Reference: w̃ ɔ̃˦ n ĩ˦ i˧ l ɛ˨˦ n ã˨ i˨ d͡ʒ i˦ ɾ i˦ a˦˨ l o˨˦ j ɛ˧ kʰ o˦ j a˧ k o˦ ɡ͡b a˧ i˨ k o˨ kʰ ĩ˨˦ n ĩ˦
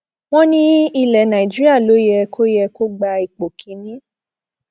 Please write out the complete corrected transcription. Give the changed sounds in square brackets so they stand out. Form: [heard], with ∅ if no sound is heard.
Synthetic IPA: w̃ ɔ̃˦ n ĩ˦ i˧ l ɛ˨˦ n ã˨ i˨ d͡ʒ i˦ ɾ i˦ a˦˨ l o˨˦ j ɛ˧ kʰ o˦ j [ɛ˧] k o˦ ɡ͡b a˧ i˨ [k͡p] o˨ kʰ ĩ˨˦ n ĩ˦